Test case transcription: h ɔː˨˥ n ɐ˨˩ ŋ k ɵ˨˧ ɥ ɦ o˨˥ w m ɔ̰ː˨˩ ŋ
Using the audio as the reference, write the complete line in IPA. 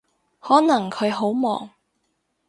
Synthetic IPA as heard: h ɔː˨˥ n ɐ˨˩ ŋ kʰ ɵ˨˧ ɥ ɦ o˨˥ w m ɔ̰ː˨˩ ŋ